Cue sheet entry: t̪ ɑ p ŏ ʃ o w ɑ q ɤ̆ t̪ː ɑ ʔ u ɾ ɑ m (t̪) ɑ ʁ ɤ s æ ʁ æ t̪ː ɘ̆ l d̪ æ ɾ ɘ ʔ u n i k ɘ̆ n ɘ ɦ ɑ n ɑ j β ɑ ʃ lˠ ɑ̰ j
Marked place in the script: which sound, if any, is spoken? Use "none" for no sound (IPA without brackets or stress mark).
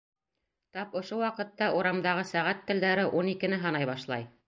d̪